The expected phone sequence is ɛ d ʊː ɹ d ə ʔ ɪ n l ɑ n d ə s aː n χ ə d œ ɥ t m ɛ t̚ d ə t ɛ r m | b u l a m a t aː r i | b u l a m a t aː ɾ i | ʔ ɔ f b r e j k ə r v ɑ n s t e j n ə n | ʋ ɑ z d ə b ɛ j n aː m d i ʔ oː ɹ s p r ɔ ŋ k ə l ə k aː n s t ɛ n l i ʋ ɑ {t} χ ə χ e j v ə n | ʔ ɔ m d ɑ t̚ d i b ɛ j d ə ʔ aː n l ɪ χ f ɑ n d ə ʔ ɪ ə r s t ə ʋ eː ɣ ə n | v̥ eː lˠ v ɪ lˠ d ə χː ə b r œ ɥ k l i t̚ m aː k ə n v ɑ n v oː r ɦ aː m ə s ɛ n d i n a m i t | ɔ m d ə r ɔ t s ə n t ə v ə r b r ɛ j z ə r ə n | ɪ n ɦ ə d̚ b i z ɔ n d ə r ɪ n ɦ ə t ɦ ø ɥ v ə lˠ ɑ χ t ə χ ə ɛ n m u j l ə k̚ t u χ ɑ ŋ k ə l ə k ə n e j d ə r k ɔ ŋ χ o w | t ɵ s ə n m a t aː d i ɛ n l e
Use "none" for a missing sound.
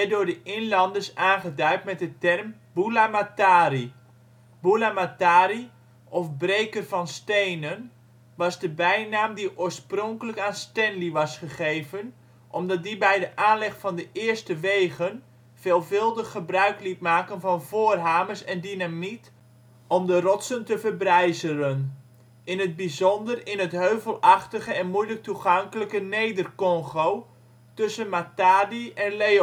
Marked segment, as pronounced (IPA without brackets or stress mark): s